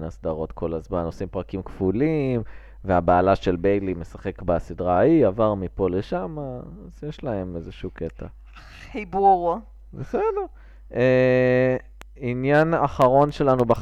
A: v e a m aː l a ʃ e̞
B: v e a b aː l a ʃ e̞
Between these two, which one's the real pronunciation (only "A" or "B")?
B